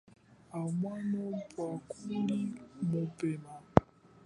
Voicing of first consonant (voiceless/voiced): voiced